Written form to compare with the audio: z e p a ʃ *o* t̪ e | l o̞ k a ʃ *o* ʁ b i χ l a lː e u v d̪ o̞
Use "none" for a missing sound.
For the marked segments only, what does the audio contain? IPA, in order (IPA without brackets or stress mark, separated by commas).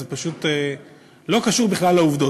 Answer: u, u